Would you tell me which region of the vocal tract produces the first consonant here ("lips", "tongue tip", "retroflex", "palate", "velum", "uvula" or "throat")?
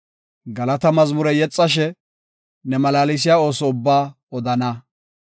velum